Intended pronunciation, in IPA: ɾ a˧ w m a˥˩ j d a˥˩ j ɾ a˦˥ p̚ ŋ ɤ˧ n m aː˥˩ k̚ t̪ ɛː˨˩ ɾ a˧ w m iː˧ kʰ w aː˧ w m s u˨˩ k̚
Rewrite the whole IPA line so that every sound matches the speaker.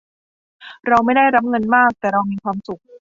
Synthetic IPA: ɾ a˧ w m a˥˩ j d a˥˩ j ɾ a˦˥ p̚ ŋ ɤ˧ n m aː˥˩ k̚ t̪ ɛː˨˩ ɾ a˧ w m iː˧ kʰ w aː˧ m s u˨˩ k̚